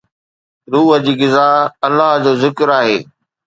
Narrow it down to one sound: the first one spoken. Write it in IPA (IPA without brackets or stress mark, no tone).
ɾ